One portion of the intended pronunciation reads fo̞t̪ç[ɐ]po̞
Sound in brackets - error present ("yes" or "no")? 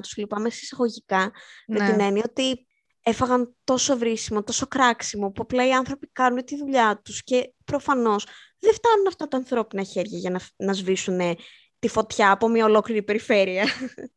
yes